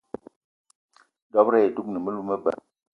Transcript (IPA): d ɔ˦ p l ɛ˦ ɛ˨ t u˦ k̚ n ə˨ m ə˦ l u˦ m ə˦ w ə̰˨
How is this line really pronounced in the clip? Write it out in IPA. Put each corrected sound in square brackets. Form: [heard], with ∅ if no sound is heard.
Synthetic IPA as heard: d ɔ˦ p [ɾ] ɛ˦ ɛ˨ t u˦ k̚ n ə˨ m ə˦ l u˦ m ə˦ [b] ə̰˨